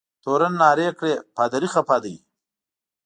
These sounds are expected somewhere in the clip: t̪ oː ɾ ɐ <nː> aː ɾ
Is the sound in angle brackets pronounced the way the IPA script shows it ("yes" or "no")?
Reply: yes